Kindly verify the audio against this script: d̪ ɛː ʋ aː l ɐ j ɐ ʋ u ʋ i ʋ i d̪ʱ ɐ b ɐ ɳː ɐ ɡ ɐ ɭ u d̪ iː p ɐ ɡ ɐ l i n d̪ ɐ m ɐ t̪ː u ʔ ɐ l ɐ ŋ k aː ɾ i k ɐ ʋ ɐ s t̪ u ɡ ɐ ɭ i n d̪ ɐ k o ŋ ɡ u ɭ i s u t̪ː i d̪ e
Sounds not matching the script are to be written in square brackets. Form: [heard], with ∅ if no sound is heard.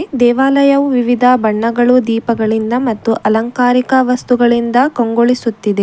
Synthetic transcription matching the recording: d̪ ɛː ʋ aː l ɐ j ɐ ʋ u ʋ i ʋ i d̪ʱ ɐ b ɐ ɳː ɐ ɡ ɐ ɭ u d̪ iː p ɐ ɡ ɐ [ɭ] i n d̪ ɐ m ɐ t̪ː u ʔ ɐ l ɐ ŋ k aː ɾ i k ɐ ʋ ɐ s t̪ u ɡ ɐ ɭ i n d̪ ɐ k o ŋ ɡ [o] ɭ i s u t̪ː i d̪ e